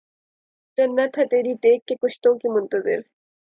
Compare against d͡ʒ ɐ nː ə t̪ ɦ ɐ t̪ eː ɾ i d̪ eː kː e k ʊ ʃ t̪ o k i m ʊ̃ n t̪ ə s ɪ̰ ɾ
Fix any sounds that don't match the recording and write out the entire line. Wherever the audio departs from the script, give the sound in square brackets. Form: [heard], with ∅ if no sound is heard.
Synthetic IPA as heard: d͡ʒ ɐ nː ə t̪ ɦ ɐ t̪ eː ɾ i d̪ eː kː e k ʊ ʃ t̪ [õ] k i m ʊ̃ n t̪ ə [z] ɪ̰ ɾ